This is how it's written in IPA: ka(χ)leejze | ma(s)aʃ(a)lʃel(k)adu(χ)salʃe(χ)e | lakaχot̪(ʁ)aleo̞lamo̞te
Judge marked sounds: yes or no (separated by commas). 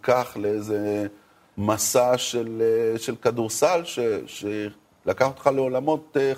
yes, yes, no, yes, no, no, no